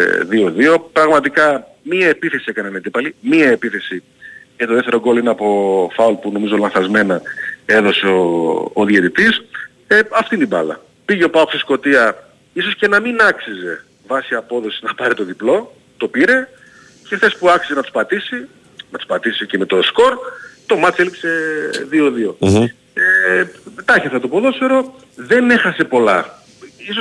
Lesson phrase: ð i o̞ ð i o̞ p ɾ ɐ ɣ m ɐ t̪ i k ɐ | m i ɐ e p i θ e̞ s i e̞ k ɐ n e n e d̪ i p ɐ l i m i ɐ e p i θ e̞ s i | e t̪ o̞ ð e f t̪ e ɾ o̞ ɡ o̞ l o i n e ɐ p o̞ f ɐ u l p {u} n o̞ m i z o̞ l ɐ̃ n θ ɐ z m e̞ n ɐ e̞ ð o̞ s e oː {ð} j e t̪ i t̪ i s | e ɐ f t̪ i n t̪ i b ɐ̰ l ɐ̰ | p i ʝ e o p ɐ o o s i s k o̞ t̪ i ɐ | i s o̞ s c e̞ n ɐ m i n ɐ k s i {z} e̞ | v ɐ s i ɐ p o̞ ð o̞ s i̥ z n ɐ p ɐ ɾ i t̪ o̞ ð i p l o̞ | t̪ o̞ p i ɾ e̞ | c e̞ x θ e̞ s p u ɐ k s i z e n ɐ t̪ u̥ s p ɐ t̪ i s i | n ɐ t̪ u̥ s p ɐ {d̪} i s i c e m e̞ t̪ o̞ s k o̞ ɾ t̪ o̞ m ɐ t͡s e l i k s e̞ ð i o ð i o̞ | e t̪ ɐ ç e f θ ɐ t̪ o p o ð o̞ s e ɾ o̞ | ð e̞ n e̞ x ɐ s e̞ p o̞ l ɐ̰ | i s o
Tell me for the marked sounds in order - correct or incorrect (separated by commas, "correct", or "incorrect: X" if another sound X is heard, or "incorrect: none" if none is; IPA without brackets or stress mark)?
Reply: correct, correct, correct, incorrect: t̪